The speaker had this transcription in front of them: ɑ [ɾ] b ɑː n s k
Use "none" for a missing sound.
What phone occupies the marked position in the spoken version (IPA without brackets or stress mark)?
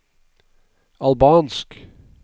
l